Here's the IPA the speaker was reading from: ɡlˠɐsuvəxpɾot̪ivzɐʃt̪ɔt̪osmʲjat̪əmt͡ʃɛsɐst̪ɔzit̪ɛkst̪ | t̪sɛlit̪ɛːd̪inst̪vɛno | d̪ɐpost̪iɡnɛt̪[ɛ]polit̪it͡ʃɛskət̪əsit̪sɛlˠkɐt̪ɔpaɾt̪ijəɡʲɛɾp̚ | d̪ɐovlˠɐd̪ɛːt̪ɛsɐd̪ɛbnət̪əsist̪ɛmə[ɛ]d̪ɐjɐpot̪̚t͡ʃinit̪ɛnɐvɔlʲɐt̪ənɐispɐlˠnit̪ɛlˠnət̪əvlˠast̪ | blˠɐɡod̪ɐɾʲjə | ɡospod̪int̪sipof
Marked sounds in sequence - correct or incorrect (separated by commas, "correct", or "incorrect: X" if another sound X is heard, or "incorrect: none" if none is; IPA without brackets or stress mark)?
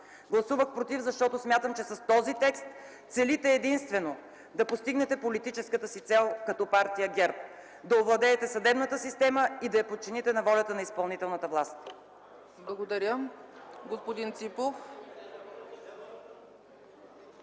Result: correct, incorrect: i